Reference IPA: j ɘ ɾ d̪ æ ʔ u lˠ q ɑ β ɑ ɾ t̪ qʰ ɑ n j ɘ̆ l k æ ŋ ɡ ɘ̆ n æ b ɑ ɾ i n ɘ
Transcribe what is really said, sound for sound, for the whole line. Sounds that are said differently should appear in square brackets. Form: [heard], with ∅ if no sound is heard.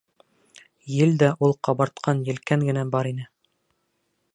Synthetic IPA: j ɘ [l] d̪ æ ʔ u lˠ q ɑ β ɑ ɾ t̪ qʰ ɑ n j ɘ̆ l k æ ŋ ɡ ɘ̆ n æ b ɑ ɾ i n ɘ